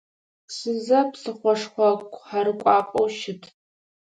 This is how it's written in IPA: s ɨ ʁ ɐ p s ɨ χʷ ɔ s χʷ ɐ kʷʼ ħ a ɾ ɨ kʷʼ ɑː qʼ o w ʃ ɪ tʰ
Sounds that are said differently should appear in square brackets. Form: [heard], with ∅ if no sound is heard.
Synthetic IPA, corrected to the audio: s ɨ [z] ɐ p s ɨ χʷ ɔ [ʂ] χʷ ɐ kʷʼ ħ a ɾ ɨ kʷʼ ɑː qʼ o w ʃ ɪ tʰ